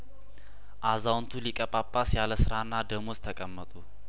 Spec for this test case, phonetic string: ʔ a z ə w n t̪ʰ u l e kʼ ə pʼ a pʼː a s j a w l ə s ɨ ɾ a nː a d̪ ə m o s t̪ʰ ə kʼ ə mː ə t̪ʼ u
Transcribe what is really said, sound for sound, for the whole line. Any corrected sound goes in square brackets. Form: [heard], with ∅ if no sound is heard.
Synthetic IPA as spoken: ʔ a z [a] w n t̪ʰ u l [i] kʼ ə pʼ a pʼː a s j a [∅] l ə s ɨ ɾ a nː a d̪ ə m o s t̪ʰ ə kʼ ə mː ə t̪ʼ u